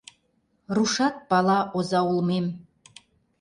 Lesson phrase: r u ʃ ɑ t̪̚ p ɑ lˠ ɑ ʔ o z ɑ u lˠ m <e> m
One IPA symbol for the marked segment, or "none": e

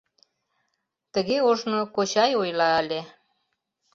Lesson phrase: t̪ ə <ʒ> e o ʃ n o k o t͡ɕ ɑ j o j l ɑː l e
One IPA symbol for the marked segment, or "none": ɣ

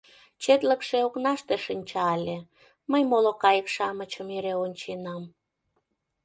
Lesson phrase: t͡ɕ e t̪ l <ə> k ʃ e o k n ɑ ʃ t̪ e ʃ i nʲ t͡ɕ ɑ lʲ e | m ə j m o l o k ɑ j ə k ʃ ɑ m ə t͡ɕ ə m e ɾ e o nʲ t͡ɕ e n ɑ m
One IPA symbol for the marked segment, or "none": ə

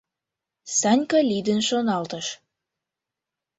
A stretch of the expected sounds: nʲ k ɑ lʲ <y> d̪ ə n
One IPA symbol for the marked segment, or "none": i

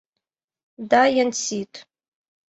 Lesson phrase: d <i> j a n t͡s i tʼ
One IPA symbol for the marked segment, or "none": a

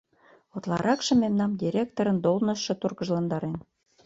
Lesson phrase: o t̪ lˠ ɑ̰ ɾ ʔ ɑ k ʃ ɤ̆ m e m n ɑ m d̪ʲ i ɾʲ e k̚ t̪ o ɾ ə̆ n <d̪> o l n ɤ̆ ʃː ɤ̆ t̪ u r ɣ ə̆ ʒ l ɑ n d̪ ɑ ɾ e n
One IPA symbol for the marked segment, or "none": d̪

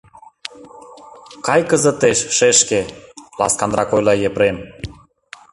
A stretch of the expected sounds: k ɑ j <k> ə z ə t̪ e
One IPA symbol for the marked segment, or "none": k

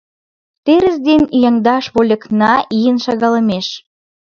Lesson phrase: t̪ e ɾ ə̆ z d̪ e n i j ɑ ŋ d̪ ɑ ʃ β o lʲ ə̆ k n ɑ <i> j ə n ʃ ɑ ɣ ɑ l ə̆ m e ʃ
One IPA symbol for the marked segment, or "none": i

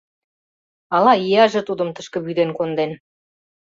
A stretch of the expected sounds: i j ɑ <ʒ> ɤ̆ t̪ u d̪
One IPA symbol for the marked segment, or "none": ʒ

